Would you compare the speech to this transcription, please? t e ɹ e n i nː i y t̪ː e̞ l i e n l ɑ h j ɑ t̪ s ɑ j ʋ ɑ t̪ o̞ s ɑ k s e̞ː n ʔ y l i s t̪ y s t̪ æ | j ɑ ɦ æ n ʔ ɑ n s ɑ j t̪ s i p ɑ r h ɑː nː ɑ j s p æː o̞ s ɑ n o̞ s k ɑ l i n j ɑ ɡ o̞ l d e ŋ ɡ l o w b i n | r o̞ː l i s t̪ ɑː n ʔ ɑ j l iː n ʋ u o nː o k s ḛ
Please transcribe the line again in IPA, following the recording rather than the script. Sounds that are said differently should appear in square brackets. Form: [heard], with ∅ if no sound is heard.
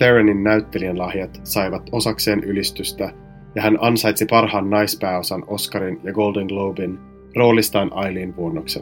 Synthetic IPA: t e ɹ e n i nː [æ] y t̪ː e̞ l i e n l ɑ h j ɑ t̪ s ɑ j ʋ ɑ t̪ o̞ s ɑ k s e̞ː n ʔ y l i s t̪ y s t̪ æ | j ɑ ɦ æ n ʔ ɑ n s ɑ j t̪ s i p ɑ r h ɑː nː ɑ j s p æː o̞ s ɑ n o̞ s k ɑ [ɾ] i n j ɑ ɡ o̞ l d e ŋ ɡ l o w b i n | r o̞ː l i s t̪ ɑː n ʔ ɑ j l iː n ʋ u o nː o k s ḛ